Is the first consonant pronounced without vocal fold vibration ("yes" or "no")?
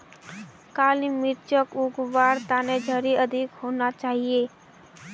yes